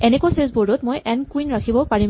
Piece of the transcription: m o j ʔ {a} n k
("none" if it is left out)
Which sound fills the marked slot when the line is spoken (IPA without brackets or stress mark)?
ɛ